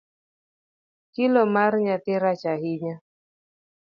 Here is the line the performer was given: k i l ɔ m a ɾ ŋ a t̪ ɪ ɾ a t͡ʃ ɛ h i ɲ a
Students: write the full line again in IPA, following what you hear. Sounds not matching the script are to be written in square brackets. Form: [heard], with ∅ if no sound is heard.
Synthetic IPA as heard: k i l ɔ m a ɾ [ɲ] a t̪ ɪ ɾ a t͡ʃ [a] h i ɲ a